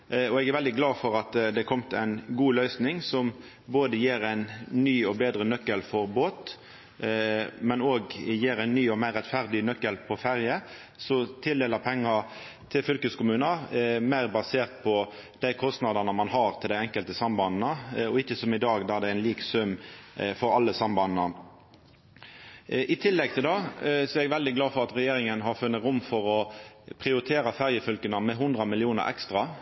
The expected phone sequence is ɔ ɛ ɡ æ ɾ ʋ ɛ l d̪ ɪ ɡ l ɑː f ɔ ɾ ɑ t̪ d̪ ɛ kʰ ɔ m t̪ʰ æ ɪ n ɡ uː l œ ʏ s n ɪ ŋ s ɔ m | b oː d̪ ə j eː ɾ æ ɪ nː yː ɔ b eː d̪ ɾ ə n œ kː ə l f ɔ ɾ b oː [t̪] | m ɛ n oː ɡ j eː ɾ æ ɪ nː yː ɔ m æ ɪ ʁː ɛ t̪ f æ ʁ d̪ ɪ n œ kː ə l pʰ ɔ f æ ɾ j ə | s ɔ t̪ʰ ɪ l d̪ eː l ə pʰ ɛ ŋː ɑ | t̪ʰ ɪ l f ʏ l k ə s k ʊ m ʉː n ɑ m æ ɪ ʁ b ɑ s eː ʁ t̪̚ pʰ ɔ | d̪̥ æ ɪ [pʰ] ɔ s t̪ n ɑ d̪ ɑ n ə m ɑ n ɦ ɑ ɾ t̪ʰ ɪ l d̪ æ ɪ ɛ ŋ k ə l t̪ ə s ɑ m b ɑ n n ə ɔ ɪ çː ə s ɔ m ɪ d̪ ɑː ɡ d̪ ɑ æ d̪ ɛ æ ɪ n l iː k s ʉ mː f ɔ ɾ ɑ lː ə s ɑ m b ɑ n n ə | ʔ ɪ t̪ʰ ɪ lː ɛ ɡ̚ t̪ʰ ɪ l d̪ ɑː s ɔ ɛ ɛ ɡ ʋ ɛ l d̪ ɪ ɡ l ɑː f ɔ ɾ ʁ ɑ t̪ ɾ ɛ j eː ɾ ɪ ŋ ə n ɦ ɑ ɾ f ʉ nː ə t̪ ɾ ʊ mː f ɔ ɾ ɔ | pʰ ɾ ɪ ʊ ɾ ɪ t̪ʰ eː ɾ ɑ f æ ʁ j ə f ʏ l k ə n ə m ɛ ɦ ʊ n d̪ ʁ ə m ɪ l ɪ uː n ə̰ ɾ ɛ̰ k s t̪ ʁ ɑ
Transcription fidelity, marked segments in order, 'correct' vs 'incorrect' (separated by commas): correct, incorrect